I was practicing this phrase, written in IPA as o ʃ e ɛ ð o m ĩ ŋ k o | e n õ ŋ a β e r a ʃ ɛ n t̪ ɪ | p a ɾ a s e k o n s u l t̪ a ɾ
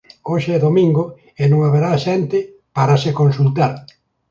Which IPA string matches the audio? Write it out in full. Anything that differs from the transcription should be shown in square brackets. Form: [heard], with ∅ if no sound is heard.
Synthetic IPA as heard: o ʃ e ɛ ð o m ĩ ŋ [ɡ] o | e n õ ŋ a β e [ɾ] a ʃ ɛ n t̪ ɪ | p a ɾ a s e k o n s u l t̪ a ɾ